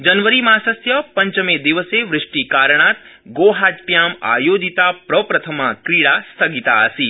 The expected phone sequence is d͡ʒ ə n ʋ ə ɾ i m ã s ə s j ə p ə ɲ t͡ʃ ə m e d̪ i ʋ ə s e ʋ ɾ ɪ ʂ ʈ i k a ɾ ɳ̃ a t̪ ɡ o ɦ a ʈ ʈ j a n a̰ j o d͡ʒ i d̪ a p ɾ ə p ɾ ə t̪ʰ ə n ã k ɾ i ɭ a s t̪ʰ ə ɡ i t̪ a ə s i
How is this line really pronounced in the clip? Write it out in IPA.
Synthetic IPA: d͡ʒ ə n ʋ ə ɾ i m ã s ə s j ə p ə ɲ t͡ʃ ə m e d̪ i ʋ ə s e ʋ ɾ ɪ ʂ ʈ i k a ɾ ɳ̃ a t̪ ɡ o ɦ a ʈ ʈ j a m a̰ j o d͡ʒ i t̪ a p ɾ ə p ɾ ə t̪ʰ ə m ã k ɾ i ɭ a s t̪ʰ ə ɡ i t̪ a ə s i